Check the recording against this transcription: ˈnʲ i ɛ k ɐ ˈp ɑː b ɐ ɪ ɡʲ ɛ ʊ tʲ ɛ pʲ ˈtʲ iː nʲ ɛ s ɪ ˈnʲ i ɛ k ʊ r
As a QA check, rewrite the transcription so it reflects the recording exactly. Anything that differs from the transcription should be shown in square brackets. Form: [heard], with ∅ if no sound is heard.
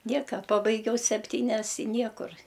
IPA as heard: ˈnʲ i ɛ k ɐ ˈp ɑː b ɐ ɪ ɡʲ ɛ ʊ [sʲ] ɛ pʲ ˈtʲ iː nʲ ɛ s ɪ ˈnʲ i ɛ k ʊ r